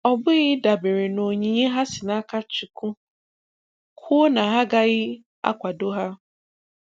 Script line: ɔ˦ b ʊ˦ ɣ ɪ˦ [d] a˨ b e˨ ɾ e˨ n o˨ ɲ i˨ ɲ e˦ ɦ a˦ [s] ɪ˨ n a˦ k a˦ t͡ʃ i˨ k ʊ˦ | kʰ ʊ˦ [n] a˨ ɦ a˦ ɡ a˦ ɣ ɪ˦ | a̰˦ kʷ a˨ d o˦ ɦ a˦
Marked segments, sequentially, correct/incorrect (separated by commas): correct, correct, correct